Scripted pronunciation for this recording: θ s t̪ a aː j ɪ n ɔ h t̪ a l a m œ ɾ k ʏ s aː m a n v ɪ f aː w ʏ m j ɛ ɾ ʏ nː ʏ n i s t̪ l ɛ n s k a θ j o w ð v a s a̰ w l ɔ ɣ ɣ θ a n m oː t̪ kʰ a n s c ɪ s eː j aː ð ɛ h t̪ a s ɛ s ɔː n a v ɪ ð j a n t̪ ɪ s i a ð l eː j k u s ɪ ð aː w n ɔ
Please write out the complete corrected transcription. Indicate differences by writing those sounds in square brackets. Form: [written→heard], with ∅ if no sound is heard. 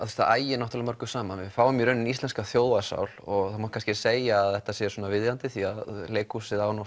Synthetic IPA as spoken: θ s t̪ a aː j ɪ n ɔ h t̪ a l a m œ ɾ k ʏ s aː m a n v ɪ f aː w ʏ m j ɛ ɾ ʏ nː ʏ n i s t̪ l ɛ n s k a θ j o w ð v a s a̰ w l ɔ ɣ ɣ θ a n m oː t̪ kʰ a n s c ɪ s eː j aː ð ɛ h t̪ a s ɛ s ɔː n a v ɪ ð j a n t̪ ɪ [s→θ] i a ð l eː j k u s ɪ ð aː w n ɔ